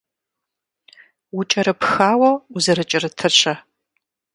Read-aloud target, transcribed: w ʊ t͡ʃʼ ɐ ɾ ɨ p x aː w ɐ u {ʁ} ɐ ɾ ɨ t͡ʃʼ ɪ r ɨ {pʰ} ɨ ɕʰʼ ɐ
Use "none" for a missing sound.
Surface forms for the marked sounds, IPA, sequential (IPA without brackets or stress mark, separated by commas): z, tʰ